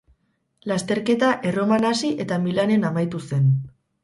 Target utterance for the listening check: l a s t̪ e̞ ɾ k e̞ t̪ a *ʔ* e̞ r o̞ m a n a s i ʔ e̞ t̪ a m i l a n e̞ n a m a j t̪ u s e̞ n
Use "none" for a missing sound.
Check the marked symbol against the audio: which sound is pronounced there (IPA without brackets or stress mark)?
ʔ